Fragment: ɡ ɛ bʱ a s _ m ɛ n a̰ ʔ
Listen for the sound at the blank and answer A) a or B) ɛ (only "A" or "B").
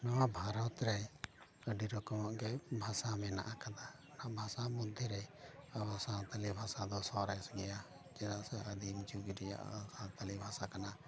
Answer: A